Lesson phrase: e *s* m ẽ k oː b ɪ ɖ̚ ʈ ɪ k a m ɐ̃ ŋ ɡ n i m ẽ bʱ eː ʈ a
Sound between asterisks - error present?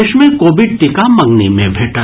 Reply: yes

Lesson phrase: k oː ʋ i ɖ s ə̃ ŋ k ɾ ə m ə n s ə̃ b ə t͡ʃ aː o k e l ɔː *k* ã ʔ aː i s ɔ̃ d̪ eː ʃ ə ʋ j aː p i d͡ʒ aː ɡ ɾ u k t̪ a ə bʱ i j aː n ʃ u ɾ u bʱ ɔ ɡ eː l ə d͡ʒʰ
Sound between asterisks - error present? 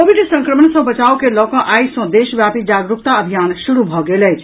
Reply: no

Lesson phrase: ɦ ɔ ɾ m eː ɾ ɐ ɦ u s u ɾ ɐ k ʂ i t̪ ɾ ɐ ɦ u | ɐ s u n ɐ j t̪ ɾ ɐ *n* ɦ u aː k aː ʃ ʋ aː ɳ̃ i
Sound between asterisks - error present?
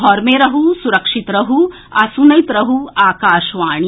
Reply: yes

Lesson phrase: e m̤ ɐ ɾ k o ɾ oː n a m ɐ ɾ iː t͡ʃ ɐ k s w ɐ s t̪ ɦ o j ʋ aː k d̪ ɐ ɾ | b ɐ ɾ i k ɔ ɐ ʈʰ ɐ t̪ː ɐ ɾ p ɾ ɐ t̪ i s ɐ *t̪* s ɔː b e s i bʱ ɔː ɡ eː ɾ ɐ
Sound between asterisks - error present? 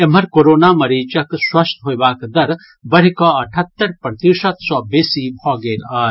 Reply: no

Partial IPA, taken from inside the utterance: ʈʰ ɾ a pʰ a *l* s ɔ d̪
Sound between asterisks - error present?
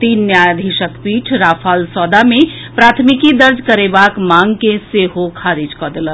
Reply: no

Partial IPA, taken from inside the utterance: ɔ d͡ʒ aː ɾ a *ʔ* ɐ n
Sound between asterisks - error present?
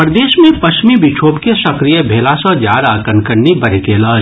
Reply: yes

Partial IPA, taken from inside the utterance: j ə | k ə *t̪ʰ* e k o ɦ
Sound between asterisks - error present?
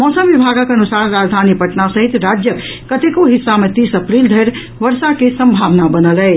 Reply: yes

